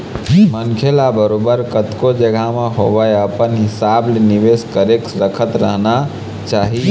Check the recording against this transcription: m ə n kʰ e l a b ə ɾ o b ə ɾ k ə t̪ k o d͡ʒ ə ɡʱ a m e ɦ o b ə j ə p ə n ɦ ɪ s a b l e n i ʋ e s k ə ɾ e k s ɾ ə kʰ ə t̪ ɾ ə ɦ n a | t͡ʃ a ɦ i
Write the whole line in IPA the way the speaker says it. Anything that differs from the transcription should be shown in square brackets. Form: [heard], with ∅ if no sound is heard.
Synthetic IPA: m ə n kʰ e l a b ə ɾ o b ə ɾ k ə t̪ k o d͡ʒ ə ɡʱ a m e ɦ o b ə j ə p ə n ɦ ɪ s a b l e n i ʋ e s k ə ɾ e k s ɾ ə kʰ ə t̪ ɾ ə ɦ n a | t͡ʃ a ɦ i